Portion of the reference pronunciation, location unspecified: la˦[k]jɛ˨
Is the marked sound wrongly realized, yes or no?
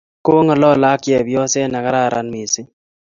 no